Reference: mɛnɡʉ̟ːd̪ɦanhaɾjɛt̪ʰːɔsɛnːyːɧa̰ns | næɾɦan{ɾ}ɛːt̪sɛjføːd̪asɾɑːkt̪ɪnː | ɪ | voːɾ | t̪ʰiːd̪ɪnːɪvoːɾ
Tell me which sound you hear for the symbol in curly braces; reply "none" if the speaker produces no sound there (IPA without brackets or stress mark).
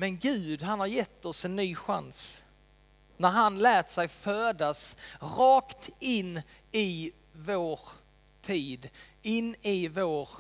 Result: l